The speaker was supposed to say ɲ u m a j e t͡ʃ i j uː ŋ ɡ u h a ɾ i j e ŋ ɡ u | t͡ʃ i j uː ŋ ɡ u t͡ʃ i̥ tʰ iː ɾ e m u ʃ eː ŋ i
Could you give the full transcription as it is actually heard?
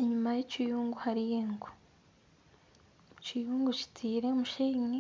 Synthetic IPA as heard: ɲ u m a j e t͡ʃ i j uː ŋ ɡ u h a ɾ i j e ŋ ɡ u | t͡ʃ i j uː ŋ ɡ u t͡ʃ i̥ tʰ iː ɾ e m u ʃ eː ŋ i